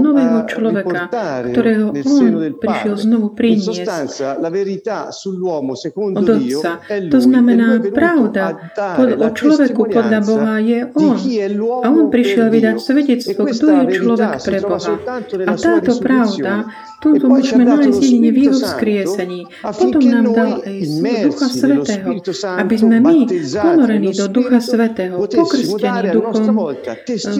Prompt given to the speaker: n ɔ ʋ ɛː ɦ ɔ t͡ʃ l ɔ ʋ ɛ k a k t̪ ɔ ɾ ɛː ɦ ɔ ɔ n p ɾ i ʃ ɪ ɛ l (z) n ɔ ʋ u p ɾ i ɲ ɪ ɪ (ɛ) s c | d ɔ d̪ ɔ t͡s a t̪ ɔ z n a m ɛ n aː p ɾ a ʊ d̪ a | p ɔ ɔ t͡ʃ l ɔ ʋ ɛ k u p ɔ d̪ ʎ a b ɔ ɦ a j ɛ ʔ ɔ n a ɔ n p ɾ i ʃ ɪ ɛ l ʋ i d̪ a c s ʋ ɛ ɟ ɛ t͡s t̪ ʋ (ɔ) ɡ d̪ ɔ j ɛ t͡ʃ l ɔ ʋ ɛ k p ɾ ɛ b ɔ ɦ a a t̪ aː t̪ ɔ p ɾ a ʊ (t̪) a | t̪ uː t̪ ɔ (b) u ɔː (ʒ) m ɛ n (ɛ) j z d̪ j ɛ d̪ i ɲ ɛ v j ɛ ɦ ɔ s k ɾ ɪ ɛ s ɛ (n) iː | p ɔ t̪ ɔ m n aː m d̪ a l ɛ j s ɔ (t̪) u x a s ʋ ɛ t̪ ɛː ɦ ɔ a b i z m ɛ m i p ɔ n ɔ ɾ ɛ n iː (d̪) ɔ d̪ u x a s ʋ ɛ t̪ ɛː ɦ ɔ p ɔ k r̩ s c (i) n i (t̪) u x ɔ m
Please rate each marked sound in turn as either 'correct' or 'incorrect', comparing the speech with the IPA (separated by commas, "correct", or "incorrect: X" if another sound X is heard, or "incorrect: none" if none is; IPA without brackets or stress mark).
correct, correct, correct, incorrect: d̪, incorrect: m, correct, incorrect: a, incorrect: ɲ, incorrect: d̪, correct, incorrect: ɛ, incorrect: d̪